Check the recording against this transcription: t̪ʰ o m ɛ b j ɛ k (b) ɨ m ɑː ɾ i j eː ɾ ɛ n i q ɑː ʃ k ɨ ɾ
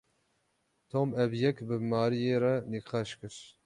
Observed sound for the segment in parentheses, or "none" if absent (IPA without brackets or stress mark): b